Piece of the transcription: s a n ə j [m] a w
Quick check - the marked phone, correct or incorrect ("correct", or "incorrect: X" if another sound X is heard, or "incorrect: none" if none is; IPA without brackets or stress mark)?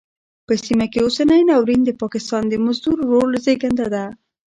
incorrect: n